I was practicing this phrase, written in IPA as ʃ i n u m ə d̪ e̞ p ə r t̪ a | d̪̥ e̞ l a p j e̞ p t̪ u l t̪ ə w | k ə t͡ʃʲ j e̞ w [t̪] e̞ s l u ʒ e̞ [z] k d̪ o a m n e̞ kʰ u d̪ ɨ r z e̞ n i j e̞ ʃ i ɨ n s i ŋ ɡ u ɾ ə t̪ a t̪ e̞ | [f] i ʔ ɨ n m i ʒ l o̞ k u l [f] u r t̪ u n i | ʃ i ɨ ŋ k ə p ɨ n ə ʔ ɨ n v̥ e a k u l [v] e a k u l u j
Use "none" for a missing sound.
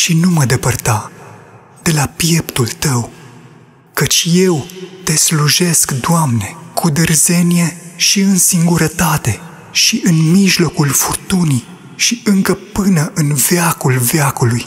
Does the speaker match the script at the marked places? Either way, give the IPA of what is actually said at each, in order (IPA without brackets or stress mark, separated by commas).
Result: t̪, s, ʃ, f, v